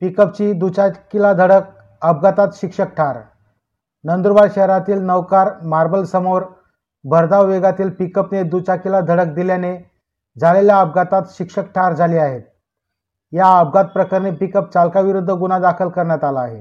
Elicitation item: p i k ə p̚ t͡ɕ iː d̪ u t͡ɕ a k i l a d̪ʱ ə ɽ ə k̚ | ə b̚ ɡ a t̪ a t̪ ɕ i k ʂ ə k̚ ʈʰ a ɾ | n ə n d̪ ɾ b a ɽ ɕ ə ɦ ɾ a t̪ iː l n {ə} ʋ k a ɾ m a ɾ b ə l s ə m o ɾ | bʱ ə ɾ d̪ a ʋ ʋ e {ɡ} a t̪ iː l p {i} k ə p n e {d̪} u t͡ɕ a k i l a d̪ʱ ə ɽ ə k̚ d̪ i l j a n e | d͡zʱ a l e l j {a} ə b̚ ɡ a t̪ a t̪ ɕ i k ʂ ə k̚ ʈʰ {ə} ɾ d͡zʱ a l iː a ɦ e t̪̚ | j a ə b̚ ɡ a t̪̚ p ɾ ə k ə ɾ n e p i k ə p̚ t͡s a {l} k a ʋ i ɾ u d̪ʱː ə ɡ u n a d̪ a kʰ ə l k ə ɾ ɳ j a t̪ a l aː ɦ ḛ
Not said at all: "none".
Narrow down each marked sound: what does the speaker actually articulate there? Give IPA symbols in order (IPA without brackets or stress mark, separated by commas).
ə, ɡ, i, d̪, a, a, l